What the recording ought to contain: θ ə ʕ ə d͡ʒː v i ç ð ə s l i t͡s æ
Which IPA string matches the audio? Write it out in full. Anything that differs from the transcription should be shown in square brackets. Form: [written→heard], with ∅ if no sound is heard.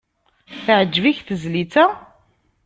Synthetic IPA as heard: θ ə ʕ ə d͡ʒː v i ç [ð→θ] ə [s→z] l i t͡s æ